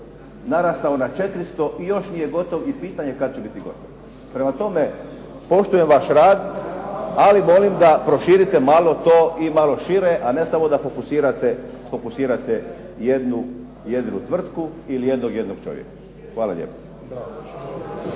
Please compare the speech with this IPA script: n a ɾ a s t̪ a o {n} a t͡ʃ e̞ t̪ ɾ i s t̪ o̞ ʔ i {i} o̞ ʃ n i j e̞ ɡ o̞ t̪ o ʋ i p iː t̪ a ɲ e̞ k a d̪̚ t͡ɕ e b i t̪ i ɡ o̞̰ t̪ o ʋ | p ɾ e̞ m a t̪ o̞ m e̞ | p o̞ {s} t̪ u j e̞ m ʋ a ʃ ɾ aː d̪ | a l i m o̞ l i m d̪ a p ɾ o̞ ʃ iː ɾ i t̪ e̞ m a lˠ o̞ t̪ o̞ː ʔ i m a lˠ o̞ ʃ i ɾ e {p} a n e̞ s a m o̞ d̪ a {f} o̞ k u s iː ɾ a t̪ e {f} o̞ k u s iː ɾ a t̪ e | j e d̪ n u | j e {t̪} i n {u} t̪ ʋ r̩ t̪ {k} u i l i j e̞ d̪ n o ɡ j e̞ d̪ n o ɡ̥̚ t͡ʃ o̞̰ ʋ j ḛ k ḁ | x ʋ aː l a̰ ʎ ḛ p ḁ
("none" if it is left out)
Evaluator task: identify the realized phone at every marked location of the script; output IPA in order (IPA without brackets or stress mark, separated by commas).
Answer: n, j, ʃ, ʔ, f, f, d̪, u, k